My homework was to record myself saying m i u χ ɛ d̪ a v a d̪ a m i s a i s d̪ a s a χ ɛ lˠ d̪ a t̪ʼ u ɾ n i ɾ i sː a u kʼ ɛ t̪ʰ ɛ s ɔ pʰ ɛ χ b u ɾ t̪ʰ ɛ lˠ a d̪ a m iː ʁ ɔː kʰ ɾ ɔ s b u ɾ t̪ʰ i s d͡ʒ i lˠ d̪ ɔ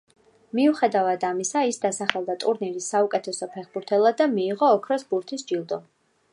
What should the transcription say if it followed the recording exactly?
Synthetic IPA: m i u χ ɛ d̪ a v a d̪ a m i s a i s d̪ a s a χ ɛ lˠ d̪ a t̪ʼ u ɾ n i ɾ i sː a u kʼ ɛ t̪ʰ ɛ s ɔ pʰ ɛ χ b u ɾ t̪ʰ ɛ lˠ a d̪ a m iː ʁ ɔː kʰ ɾ ɔ s b u ɾ t̪ʰ i s d͡ʒ i lˠ d̪ ɔ

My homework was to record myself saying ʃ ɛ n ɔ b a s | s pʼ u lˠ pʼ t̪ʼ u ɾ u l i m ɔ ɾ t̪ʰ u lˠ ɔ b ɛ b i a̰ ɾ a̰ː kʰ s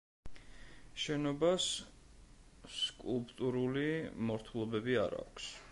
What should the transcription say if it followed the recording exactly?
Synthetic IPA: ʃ ɛ n ɔ b a s | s kʼ u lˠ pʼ t̪ʼ u ɾ u l i m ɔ ɾ t̪ʰ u lˠ ɔ b ɛ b i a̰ ɾ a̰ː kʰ s

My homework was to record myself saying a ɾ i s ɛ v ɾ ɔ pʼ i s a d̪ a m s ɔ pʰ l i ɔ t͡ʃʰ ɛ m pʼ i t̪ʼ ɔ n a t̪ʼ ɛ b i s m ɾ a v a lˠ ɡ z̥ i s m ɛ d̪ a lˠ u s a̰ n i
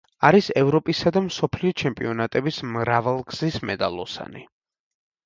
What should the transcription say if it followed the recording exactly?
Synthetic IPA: a ɾ i s ɛ v ɾ ɔ pʼ i s a d̪ a m s ɔ pʰ l i ɔ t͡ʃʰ ɛ m pʼ i ɔ n a t̪ʼ ɛ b i s m ɾ a v a lˠ ɡ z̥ i s m ɛ d̪ a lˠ ɔ s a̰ n i

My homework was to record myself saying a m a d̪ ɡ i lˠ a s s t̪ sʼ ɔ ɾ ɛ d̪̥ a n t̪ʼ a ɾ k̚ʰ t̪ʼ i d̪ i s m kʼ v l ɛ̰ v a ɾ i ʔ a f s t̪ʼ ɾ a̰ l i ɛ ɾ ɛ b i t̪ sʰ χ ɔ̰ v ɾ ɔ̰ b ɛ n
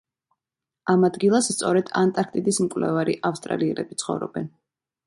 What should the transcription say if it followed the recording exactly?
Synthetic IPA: a m a d̪ ɡ i lˠ a s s t̪ sʼ ɔ ɾ ɛ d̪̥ a n t̪ʼ a ɾ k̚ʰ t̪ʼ i d̪ i s m kʼ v l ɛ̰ v a ɾ i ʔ a f s t̪ʼ ɾ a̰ l i ɛ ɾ ɛ b i t̪ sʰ χ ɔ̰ v ɾ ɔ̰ b ɛ n

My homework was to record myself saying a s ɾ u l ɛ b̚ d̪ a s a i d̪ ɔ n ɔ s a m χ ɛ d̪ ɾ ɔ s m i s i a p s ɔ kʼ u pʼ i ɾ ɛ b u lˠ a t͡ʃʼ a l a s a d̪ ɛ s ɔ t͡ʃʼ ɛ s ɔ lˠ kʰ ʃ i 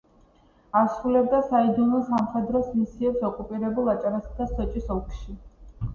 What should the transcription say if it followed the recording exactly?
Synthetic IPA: a s ɾ u l ɛ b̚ d̪ a s a i d̪ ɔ n ɔ s a m χ ɛ d̪ ɾ ɔ s m i s i ɛ p s ɔ kʼ u pʼ i ɾ ɛ b u lˠ a t͡ʃʼ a ɾ a s a d̪ a s ɔ t͡ʃʼ i s ɔ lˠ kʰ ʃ i

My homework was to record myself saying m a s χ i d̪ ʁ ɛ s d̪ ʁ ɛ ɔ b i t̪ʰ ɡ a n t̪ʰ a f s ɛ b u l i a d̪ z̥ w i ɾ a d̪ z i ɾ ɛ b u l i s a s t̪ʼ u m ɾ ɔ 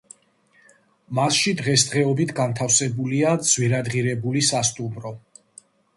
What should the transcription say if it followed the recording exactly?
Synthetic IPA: m a s ʃ i d̪ ʁ ɛ s d̪ ʁ ɛ ɔ b i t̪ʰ ɡ a n t̪ʰ a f s ɛ b u l i a d̪ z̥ w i ɾ a d̪ ʁ i ɾ ɛ b u l i s a s t̪ʼ u m ɾ ɔ

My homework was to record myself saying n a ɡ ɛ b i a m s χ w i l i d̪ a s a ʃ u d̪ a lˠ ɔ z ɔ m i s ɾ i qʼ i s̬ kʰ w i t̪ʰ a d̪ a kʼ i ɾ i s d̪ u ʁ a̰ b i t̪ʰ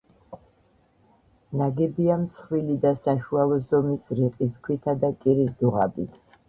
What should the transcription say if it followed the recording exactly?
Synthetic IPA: n a ɡ ɛ b i a m s χ w i l i d̪ a s a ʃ u a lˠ ɔ z ɔ m i s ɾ i qʼ i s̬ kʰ w i t̪ʰ a d̪ a kʼ i ɾ i s d̪ u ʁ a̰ b i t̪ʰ

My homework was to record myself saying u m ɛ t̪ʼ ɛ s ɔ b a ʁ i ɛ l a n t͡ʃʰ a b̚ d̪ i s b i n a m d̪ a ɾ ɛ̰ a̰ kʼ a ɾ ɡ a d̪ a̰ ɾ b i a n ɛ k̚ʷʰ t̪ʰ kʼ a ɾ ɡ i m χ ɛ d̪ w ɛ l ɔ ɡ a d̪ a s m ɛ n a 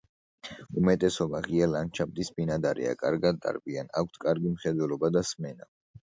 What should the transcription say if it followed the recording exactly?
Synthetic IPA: u m ɛ t̪ʼ ɛ s ɔ b a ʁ i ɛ l a n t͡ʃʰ a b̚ d̪ i s b i n a d̪ a ɾ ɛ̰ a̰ kʼ a ɾ ɡ a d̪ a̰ ɾ b i a n a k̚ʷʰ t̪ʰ kʼ a ɾ ɡ i m χ ɛ d̪ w ɛ l ɔ b a d̪ a s m ɛ n a

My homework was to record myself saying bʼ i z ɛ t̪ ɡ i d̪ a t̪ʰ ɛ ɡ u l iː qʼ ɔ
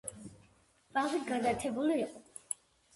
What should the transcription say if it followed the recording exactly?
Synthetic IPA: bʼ a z i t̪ ɡ a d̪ a t̪ʰ ɛ b u l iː qʼ ɔ

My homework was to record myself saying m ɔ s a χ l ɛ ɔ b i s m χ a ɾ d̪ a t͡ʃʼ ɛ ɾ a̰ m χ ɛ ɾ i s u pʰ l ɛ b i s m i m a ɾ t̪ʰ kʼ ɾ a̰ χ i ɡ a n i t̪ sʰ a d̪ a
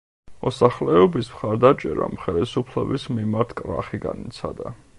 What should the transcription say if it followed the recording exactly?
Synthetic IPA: m ɔ s a χ l ɛ ɔ b i s m χ a ɾ d̪ a t͡ʃʼ ɛ ɾ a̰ m χ ɛ l i s u pʰ l ɛ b i s m i m a ɾ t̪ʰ kʼ ɾ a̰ χ i ɡ a n i t̪ sʰ a d̪ a

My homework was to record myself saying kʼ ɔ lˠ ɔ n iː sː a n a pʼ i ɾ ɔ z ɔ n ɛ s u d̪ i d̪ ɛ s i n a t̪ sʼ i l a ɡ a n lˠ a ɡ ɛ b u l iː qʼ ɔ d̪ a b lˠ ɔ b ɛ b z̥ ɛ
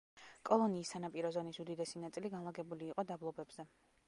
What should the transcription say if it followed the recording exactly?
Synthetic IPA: kʼ ɔ lˠ ɔ n iː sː a n a pʼ i ɾ ɔ z ɔ n i s u d̪ i d̪ ɛ s i n a t̪ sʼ i l i ɡ a n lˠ a ɡ ɛ b u l iː qʼ ɔ d̪ a b lˠ ɔ b ɛ b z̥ ɛ

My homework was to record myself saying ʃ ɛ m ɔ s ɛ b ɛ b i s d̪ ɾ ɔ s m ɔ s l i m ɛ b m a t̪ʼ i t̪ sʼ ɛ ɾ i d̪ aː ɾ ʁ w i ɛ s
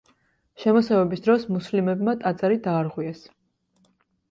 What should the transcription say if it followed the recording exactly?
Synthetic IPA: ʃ ɛ m ɔ s ɛ v ɛ b i s d̪ ɾ ɔ s m u s l i m ɛ b m a t̪ʼ a t̪ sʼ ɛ ɾ i d̪ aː ɾ ʁ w i ɛ s

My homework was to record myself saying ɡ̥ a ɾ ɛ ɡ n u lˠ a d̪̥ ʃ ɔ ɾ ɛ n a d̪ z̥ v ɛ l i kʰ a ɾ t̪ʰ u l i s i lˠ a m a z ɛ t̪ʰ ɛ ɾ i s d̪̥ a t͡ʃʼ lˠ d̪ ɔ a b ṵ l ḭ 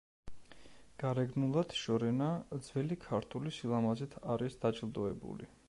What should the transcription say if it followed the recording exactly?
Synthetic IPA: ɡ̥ a ɾ ɛ ɡ n u lˠ a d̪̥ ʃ ɔ ɾ ɛ n a d̪ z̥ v ɛ l i kʰ a ɾ t̪ʰ u l i s i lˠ a m a z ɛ t̪ʰ a ɾ i s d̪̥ a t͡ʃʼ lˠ d̪ ɔ ɛ b ṵ l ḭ

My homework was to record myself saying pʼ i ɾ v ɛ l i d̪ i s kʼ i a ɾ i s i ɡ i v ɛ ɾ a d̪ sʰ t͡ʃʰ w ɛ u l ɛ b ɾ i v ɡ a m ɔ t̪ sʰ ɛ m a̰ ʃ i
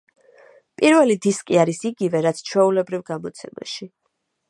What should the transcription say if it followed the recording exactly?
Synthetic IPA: pʼ i ɾ v ɛ l i d̪ i s kʼ i a ɾ i s i ɡ i v ɛ ɾ a t̪ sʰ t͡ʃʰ w ɛ u l ɛ b ɾ i v ɡ a m ɔ t̪ sʰ ɛ m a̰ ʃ i

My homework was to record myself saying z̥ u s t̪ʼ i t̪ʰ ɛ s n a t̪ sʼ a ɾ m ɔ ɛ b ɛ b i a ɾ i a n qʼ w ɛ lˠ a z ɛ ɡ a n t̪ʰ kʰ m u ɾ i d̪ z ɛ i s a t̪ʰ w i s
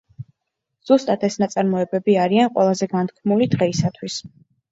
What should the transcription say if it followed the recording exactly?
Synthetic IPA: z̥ u s t̪ʼ a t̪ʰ ɛ s n a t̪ sʼ a ɾ m ɔ ɛ b ɛ b i a ɾ i a n qʼ w ɛ lˠ a z ɛ ɡ a n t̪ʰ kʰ m u l i d̪ ʁ ɛ i s a t̪ʰ w i s

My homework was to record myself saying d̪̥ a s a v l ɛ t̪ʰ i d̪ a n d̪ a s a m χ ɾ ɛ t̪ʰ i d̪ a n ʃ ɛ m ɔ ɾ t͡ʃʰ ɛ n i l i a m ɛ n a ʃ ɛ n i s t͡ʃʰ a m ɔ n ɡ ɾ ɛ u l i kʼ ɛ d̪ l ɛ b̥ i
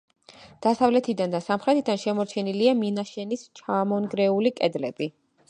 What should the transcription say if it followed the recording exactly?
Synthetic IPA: d̪̥ a s a v l ɛ t̪ʰ i d̪ a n d̪ a s a m χ ɾ ɛ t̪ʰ i d̪ a n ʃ ɛ m ɔ ɾ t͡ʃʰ ɛ n i l i a m i n a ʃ ɛ n i s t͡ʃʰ a m ɔ n ɡ ɾ ɛ u l i kʼ ɛ d̪ l ɛ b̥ i

